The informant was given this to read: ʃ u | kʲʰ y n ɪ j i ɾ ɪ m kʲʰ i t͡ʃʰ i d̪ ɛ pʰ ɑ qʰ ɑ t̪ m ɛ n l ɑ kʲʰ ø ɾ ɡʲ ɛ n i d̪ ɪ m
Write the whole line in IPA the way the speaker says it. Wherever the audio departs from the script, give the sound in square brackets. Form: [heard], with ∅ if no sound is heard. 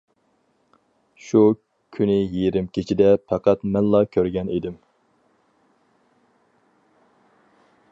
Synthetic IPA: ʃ u | kʲʰ y n ɪ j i ɾ ɪ m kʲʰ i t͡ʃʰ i d̪ ɛ pʰ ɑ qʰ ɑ t̪ m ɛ n l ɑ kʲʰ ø ɾ ɡʲ ɛ n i d̪ ɪ m